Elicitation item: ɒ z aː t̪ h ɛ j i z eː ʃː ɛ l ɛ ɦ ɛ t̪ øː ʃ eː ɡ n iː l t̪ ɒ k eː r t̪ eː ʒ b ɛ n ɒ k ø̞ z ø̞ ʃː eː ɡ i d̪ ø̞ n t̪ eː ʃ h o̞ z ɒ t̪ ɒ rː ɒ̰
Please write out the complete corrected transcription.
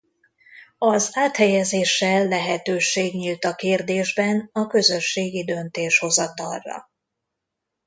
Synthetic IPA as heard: ɒ z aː t̪ h ɛ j ɛ z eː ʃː ɛ lː ɛ ɦ ɛ t̪ øː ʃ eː ɡ ɲ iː l t̪ ɒ k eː r d̪ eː ʒ b ɛ n ɒ k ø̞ z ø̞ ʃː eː ɡ i d̪ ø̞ n t̪ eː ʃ h o̞ z ɒ t̪ ɒ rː ɒ̰